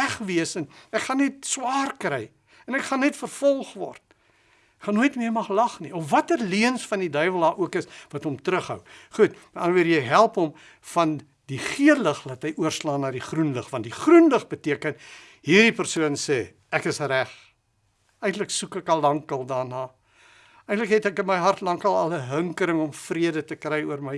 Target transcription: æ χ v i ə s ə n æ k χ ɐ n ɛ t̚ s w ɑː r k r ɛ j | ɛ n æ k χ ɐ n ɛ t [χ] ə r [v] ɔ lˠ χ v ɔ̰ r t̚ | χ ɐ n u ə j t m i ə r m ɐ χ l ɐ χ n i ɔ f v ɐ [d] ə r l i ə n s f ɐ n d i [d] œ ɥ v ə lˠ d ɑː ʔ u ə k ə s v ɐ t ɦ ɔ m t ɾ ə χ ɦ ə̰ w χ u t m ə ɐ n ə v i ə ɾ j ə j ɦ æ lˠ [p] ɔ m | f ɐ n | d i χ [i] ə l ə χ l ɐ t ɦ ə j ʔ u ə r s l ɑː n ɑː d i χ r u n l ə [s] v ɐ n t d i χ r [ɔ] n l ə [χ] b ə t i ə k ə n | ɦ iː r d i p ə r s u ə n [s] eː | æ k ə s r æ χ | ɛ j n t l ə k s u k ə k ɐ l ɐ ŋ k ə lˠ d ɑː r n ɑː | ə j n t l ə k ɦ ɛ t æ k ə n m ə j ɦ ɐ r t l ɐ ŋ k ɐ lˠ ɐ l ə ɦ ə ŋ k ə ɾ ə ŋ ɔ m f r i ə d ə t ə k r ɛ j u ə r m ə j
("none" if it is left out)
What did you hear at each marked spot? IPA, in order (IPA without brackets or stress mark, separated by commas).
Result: f, f, t, d, p, i, χ, u, χ, s